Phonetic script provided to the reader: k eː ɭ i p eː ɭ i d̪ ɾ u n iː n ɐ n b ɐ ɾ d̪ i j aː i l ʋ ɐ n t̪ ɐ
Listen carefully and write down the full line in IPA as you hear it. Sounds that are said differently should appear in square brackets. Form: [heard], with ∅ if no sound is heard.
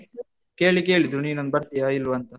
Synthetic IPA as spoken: k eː ɭ i [k] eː ɭ i d̪ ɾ u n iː n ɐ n b ɐ ɾ [t̪] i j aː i l ʋ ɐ n t̪ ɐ